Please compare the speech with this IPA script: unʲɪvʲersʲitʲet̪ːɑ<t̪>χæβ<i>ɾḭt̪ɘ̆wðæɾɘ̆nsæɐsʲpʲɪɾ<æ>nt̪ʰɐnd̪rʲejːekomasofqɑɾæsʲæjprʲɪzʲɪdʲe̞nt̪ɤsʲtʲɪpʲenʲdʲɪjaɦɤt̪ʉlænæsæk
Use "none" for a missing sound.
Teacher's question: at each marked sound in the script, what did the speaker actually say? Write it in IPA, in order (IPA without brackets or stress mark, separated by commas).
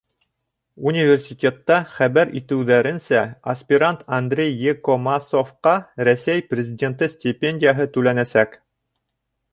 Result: none, æ, a